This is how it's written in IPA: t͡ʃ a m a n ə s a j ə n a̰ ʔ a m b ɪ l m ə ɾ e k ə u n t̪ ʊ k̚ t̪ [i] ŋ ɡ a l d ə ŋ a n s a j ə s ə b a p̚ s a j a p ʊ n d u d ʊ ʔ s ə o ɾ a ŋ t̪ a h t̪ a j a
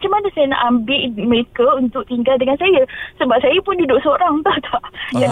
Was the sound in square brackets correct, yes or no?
yes